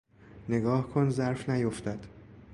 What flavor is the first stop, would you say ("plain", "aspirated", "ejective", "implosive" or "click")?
plain